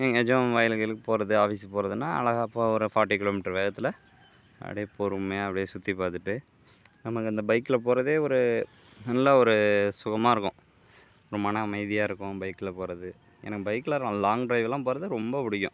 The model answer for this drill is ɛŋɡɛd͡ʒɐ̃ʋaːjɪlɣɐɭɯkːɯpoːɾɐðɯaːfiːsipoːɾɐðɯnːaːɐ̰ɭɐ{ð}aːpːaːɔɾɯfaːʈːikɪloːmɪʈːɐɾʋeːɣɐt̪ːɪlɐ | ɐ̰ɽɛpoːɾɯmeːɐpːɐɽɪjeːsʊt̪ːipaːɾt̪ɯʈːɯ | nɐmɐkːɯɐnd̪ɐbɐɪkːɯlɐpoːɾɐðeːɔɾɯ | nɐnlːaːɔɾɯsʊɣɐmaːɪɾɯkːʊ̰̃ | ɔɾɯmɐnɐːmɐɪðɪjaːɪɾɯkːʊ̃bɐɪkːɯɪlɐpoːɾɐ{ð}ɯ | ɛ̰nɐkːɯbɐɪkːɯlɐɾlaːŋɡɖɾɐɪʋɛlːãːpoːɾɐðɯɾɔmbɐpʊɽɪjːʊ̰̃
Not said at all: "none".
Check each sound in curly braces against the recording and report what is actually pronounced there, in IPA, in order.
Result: ɣ, ð

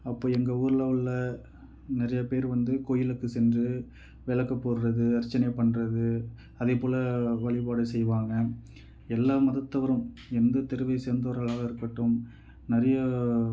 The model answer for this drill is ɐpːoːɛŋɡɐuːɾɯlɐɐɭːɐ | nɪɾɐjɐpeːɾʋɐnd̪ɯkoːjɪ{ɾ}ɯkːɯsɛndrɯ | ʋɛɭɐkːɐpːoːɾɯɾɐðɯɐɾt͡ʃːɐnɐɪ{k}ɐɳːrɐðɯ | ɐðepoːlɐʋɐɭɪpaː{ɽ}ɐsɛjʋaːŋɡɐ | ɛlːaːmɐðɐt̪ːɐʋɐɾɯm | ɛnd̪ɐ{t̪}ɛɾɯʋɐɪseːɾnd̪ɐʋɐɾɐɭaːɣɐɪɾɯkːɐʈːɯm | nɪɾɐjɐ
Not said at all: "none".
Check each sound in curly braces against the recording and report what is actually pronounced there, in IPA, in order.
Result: l, p, ɽ, t̪

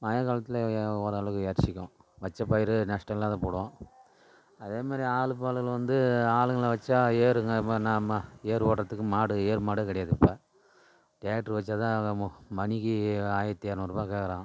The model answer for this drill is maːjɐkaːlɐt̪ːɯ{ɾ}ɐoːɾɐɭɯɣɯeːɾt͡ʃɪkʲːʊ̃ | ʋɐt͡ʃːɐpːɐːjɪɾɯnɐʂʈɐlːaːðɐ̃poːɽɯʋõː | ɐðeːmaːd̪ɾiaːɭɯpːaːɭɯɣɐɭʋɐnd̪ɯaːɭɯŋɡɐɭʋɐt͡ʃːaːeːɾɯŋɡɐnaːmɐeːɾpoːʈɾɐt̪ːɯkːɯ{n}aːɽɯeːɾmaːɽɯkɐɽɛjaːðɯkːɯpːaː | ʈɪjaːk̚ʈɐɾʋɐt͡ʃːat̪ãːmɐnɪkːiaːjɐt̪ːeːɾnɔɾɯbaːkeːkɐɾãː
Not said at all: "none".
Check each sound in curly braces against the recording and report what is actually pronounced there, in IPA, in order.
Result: l, m

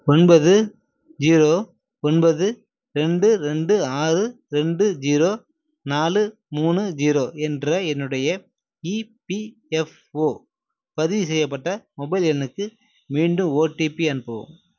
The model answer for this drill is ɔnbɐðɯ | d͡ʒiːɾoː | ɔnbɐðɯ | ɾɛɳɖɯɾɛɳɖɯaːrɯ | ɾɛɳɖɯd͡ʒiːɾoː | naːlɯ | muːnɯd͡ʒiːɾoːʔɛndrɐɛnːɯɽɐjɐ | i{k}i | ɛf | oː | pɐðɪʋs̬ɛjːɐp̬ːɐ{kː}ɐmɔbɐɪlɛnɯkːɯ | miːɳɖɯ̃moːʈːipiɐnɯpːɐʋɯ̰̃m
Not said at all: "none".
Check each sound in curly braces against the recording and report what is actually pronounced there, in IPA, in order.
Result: p, ʈː

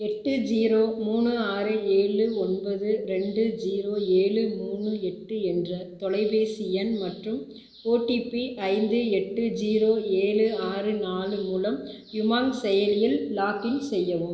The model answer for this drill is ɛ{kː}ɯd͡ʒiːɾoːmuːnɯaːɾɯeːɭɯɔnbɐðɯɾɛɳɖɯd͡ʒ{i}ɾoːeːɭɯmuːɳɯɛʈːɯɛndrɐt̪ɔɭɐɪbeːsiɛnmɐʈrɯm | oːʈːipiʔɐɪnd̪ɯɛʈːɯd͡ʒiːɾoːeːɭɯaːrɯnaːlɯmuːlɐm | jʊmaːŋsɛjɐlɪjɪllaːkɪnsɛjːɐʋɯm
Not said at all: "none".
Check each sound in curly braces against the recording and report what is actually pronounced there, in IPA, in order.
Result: ʈː, iː

